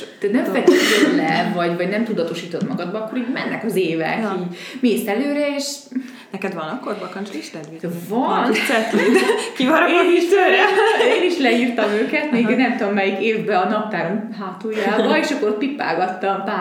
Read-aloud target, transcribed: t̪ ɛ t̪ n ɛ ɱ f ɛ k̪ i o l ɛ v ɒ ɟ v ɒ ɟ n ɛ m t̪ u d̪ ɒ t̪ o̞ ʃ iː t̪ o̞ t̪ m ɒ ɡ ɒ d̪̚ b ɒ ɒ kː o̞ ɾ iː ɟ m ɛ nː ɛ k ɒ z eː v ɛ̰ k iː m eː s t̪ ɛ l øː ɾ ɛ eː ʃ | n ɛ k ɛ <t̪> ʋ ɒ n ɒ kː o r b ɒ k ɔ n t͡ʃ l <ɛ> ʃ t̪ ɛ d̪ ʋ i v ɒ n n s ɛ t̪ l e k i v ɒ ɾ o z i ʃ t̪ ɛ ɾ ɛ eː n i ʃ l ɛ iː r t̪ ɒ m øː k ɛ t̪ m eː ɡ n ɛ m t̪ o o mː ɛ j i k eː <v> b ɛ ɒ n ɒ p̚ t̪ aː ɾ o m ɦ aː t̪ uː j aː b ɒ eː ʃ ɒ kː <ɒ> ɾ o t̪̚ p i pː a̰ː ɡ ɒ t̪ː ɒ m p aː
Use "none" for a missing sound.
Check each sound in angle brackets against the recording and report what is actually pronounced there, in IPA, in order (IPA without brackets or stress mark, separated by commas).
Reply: d̪, i, v, o